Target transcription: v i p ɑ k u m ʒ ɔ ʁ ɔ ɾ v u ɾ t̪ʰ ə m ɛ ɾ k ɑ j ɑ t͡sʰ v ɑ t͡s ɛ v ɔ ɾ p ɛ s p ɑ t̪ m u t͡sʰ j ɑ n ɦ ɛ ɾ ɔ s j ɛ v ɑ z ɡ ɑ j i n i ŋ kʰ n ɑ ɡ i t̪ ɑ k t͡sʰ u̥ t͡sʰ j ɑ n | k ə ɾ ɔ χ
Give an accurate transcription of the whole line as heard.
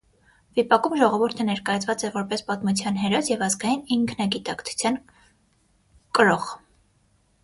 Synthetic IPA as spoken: v i p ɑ k u m ʒ ɔ ʁ ɔ v u ɾ t̪ʰ ə n ɛ ɾ k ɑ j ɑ t͡sʰ v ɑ t͡s ɛ v ɔ ɾ p ɛ s p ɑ t̪ m u t͡sʰ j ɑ n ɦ ɛ ɾ ɔ s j ɛ v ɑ z ɡ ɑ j i n i ŋ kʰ n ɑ ɡ i t̪ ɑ k t͡sʰ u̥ t͡sʰ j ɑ n | k ə ɾ ɔ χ